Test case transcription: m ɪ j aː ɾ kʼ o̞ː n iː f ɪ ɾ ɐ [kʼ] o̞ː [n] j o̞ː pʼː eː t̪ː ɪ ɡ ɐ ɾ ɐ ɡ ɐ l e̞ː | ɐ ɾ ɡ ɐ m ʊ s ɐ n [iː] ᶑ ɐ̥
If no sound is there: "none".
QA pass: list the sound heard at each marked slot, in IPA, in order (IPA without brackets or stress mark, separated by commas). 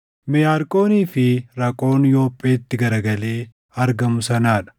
kʼ, n, aː